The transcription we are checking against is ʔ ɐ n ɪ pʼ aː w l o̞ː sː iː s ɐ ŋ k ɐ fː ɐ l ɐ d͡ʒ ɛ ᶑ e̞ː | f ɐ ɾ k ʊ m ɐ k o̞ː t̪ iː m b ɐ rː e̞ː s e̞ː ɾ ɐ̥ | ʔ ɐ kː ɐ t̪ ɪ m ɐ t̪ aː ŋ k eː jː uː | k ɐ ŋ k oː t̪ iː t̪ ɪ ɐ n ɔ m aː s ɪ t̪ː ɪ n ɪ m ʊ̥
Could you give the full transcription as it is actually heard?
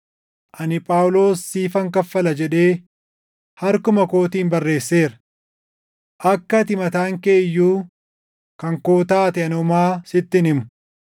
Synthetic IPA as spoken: ʔ ɐ n ɪ pʼ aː w l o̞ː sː iː f ɐ ŋ k ɐ fː ɐ l ɐ d͡ʒ ɛ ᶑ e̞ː | h ɐ ɾ k ʊ m ɐ k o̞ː t̪ iː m b ɐ rː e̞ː sː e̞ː ɾ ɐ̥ | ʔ ɐ kː ɐ t̪ ɪ m ɐ t̪ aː ŋ k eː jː uː | k ɐ ŋ k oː t̪ aː t̪ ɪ ɐ n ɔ m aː s ɪ t̪ː ɪ n ɪ m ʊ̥